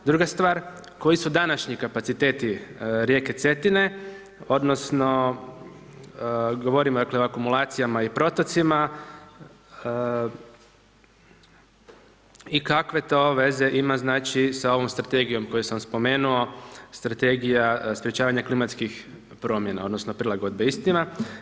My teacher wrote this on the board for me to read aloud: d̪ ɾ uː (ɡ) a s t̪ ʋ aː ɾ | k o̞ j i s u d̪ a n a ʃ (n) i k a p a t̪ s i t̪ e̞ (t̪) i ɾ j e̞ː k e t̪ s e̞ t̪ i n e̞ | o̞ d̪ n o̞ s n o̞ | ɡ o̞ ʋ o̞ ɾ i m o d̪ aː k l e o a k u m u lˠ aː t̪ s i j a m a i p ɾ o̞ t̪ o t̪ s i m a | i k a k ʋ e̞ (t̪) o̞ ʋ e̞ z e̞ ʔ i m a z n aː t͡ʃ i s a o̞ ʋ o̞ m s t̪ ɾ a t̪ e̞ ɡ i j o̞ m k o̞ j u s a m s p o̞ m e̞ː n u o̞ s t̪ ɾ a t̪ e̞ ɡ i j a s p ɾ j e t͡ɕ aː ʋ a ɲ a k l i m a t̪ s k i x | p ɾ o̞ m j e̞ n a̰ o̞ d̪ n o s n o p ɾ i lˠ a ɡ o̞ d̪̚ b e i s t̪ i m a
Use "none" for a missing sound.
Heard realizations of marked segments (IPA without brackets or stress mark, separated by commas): ɡ, ɲ, t̪, t̪